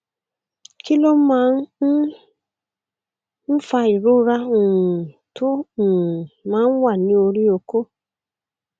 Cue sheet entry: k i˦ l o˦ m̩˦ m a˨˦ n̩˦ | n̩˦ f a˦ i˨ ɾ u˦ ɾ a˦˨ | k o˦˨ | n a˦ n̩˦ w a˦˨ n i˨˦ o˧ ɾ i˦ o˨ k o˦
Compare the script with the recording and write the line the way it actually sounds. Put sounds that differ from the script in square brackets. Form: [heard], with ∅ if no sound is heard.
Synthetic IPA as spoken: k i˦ l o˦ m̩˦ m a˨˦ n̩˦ | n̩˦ f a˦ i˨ ɾ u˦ ɾ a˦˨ | [t] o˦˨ | [m] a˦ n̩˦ w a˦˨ n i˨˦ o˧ ɾ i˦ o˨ k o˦